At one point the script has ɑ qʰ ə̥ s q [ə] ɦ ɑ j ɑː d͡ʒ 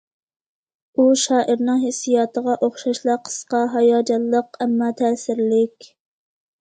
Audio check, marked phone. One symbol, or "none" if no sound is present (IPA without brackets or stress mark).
ɑ